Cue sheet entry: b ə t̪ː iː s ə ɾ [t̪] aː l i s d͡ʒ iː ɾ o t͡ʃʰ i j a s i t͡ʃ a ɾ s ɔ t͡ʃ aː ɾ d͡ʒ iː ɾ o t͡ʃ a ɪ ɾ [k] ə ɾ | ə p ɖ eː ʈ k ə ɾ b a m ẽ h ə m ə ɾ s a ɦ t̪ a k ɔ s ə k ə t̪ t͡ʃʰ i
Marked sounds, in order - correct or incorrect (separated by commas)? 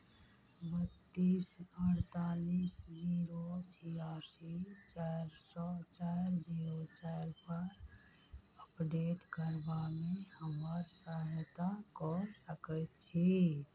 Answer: correct, incorrect